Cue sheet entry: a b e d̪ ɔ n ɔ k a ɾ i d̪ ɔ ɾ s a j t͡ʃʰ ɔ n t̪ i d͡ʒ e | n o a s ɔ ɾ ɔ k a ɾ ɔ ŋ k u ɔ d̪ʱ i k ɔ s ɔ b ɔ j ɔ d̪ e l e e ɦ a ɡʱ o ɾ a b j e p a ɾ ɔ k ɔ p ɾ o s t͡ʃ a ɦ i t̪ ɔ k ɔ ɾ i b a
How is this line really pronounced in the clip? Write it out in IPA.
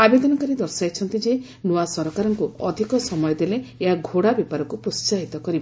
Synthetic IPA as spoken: a b e d̪ ɔ n ɔ k a ɾ i d̪ ɔ ɾ s a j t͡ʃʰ ɔ n t̪ i d͡ʒ e | n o a s ɔ ɾ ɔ k a ɾ ɔ ŋ k u ɔ d̪ʱ i k ɔ s ɔ m ɔ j ɔ d̪ e l e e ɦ a ɡʱ o ɽ a b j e p a ɾ ɔ k u p ɾ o s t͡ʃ a ɦ i t̪ ɔ k ɔ ɾ i b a